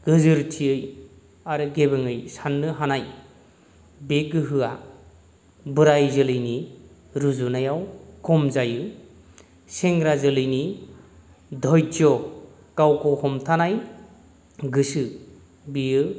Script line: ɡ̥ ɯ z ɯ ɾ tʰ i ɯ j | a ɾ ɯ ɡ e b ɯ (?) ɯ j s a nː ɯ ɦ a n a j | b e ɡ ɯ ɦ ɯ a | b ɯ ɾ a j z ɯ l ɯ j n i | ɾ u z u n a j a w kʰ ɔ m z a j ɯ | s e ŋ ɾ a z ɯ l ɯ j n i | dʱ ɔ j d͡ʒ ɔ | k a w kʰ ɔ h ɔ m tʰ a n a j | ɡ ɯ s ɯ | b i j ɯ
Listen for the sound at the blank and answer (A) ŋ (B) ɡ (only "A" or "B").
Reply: A